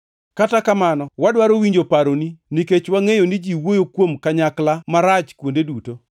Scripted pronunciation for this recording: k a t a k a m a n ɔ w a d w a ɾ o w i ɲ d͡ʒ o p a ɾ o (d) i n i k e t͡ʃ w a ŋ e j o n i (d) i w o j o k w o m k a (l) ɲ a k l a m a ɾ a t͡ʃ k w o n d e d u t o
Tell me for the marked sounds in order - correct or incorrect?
incorrect: n, incorrect: d͡ʒ, incorrect: none

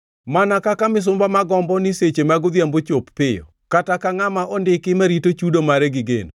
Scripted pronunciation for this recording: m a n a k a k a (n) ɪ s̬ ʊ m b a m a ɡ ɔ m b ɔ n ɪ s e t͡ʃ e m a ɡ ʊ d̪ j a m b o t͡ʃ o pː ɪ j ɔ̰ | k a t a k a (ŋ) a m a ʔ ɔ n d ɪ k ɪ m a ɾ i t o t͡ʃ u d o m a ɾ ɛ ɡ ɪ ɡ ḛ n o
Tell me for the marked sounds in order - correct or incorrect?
incorrect: m, correct

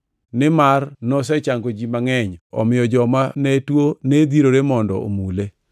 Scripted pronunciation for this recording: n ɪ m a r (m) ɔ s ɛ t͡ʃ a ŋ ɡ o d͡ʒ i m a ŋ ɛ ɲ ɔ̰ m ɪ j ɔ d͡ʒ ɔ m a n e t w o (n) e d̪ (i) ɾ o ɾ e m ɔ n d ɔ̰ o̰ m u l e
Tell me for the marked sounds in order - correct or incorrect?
incorrect: n, correct, correct

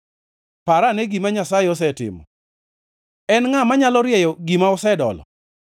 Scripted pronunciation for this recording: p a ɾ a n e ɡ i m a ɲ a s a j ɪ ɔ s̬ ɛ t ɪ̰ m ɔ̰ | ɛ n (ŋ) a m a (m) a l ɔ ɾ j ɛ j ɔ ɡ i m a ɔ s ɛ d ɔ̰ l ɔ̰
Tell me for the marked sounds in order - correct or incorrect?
correct, incorrect: ɲ

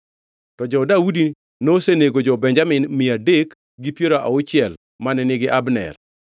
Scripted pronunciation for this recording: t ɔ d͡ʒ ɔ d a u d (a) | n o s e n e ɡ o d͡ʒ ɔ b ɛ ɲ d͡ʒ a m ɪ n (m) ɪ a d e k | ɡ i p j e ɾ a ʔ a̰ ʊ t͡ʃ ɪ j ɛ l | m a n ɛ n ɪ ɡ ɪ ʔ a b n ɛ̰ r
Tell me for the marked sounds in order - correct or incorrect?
incorrect: i, correct

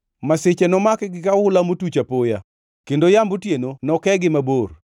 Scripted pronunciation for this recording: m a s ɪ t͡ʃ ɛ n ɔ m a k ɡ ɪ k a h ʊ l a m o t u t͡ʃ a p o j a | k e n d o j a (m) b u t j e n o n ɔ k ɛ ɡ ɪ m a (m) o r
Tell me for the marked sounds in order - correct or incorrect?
correct, incorrect: b

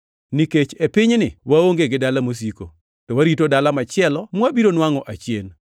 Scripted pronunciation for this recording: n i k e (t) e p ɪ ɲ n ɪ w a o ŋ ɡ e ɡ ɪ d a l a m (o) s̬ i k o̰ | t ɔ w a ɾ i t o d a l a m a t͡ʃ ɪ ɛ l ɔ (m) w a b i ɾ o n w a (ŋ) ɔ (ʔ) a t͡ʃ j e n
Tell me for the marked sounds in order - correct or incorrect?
incorrect: t͡ʃ, correct, correct, correct, correct

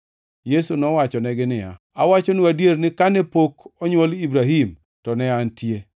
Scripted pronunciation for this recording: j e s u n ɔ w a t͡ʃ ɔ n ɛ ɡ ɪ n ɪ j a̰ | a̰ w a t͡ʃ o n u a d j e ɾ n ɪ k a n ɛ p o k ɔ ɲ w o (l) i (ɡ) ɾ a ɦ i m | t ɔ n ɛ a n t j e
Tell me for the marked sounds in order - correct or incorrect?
correct, incorrect: b

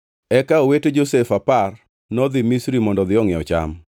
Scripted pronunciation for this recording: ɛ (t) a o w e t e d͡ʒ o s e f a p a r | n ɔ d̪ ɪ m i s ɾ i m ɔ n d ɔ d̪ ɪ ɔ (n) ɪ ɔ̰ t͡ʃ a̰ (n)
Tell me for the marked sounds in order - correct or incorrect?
incorrect: k, incorrect: ŋ, incorrect: m

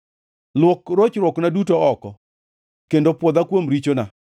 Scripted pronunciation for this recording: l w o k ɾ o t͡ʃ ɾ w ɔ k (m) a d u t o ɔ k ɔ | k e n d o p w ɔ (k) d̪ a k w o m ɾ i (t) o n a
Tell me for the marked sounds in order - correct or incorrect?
incorrect: n, incorrect: none, incorrect: t͡ʃ

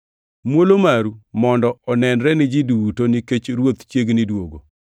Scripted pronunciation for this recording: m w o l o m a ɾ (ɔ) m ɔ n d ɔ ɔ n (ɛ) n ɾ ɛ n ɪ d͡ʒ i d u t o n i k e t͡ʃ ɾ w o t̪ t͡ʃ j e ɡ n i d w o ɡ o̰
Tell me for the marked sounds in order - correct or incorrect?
incorrect: u, correct

